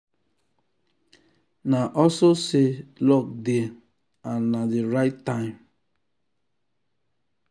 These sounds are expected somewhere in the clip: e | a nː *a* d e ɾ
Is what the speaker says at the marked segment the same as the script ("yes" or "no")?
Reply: yes